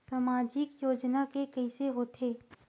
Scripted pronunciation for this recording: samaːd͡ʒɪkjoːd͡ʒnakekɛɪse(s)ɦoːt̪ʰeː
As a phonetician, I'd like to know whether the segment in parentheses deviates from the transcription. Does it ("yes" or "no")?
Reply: yes